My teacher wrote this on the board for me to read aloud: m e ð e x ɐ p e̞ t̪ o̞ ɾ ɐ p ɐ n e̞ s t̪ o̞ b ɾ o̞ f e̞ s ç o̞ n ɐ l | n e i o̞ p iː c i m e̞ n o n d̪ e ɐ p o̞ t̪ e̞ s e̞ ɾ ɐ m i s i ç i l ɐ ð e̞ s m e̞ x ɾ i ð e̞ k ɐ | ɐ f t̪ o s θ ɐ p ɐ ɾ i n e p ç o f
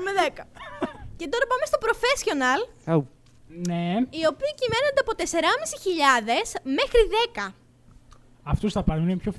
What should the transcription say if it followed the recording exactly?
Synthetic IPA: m e ð e k ɐ c e̞ t̪ o̞ ɾ ɐ p ɐ m e̞ s t̪ o̞ p ɾ o̞ f e̞ s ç o̞ n ɐ l | n e i o̞ p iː c i m e̞ n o n d̪ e ɐ p o̞ t̪ e̞ s e̞ ɾ ɐ m i s i ç i ʎ ɐ ð e̞ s m e̞ x ɾ i ð e̞ k ɐ | ɐ f t̪ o s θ ɐ p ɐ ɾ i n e p ç o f